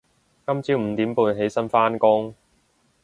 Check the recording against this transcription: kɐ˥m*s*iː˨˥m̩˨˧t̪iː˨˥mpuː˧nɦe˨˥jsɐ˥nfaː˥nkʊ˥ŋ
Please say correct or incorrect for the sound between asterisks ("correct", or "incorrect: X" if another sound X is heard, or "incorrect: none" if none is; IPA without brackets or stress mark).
incorrect: t͡s